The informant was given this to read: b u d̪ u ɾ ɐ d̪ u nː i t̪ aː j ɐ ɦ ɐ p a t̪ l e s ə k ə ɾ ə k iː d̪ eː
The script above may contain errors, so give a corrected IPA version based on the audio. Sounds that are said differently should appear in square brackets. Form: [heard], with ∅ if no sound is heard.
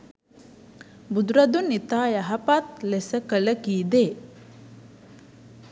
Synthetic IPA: b u d̪ u ɾ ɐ d̪ u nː i t̪ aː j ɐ ɦ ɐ p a t̪ l e s ə k ə [l] ə k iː d̪ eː